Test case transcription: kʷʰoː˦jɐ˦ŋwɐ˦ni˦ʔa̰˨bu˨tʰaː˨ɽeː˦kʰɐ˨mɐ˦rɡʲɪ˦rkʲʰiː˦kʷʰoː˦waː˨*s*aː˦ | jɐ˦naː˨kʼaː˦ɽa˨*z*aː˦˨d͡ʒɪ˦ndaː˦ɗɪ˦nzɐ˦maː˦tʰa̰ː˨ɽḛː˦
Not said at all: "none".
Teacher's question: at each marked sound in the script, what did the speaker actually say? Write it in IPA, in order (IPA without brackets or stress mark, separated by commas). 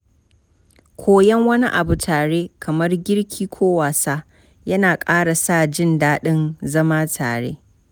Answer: s, s